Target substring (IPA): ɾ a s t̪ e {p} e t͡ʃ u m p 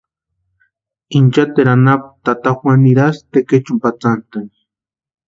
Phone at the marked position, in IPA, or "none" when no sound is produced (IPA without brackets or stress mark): k